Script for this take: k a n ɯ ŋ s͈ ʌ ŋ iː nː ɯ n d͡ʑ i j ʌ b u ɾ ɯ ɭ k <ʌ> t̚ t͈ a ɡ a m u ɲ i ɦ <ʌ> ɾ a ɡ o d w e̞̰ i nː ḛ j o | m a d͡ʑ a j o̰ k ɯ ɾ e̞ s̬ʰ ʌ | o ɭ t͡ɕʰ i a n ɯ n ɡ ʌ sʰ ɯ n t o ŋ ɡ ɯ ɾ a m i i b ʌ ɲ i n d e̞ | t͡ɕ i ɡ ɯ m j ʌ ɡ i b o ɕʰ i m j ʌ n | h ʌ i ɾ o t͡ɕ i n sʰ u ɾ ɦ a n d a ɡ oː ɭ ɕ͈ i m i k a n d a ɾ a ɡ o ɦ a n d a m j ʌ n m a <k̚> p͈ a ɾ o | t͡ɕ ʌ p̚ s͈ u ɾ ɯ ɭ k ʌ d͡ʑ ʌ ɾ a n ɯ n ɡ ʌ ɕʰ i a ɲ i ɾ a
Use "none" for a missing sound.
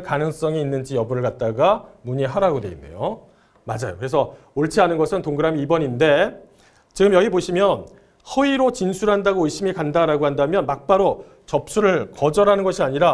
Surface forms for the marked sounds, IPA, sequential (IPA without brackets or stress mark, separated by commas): a, a, k̚